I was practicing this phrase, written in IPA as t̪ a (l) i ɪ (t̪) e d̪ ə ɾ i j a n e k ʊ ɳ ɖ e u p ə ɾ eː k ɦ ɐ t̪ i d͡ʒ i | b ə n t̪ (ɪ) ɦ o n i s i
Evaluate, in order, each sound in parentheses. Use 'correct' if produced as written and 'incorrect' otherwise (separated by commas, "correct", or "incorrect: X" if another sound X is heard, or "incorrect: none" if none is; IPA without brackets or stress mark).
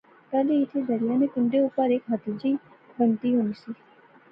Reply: correct, incorrect: t̪ʰ, incorrect: i